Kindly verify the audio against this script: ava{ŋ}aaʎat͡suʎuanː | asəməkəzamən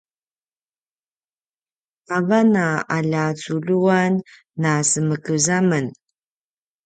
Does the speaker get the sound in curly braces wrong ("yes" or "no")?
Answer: yes